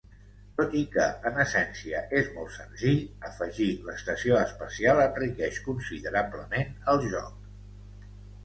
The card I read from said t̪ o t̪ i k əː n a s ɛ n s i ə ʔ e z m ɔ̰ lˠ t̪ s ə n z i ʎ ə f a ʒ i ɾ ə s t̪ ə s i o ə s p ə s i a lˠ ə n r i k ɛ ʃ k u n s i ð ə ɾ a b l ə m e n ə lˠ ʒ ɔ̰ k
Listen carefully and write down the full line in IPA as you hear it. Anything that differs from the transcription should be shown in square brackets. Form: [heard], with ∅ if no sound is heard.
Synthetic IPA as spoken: t̪ o t̪ i k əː n [ə] s ɛ n s i ə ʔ e z m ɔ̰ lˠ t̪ s ə n z i ʎ ə f [ə] ʒ i [l] ə s t̪ ə s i o ə s p ə s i a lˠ ə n r i k ɛ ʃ k u n s i ð ə ɾ a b l ə m e n ə lˠ ʒ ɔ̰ k